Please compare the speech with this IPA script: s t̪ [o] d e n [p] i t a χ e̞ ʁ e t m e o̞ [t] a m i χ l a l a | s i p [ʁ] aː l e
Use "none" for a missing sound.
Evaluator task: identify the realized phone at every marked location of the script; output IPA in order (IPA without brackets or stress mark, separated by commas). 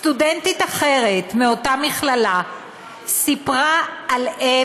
u, t, t, ʁ